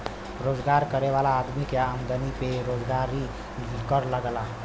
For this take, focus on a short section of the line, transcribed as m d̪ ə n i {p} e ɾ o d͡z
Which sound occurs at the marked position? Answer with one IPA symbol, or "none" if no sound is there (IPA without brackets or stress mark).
p